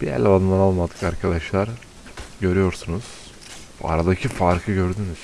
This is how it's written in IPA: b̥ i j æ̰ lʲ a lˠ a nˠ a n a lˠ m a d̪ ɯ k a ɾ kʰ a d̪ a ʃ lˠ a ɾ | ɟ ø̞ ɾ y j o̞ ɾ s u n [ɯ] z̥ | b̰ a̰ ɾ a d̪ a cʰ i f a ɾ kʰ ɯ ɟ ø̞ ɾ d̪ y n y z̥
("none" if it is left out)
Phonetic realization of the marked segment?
u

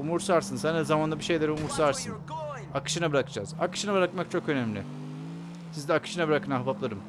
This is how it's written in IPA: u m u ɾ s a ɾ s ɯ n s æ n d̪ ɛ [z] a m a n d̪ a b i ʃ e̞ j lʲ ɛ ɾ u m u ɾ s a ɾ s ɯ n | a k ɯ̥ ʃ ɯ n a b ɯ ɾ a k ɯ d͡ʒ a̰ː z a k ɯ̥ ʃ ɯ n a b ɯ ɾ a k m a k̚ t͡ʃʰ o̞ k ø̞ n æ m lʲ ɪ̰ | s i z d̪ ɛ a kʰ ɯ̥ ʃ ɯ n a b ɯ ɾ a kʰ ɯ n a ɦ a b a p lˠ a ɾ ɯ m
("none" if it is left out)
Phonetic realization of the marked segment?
z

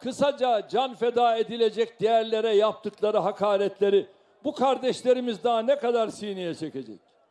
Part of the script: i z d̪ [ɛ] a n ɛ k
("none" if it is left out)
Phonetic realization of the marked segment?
a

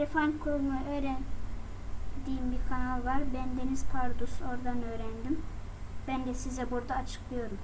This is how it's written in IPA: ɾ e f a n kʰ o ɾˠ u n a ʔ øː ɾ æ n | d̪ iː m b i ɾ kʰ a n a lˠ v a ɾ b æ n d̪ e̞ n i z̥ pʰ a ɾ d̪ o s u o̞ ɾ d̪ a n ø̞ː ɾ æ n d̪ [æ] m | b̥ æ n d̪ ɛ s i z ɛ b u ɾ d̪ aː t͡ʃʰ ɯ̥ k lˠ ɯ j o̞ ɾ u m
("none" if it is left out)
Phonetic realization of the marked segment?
i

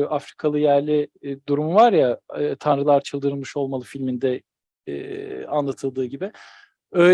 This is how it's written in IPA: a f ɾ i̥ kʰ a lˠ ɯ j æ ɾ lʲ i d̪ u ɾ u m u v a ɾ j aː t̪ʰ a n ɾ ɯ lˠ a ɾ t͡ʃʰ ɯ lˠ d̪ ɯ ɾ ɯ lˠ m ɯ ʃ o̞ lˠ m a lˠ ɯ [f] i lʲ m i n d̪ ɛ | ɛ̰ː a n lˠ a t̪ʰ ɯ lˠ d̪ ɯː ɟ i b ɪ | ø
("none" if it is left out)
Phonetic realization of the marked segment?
f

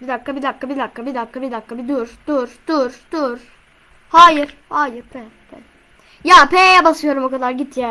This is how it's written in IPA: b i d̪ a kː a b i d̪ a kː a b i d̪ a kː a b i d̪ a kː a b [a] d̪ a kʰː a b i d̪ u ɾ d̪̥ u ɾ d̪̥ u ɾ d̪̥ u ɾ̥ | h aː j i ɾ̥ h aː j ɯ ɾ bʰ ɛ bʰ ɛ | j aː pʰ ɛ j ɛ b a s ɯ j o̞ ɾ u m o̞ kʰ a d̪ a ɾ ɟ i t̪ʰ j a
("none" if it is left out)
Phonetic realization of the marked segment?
i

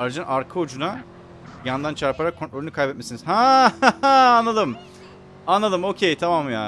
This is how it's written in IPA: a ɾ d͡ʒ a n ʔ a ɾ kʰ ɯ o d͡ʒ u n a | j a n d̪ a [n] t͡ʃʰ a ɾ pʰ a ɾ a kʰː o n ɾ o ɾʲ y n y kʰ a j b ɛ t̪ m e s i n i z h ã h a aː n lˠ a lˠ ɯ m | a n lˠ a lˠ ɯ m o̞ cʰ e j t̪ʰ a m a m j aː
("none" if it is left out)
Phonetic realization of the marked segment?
n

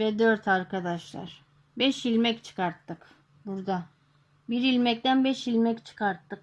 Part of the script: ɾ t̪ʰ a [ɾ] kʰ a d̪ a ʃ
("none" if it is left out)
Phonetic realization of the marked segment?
ɾ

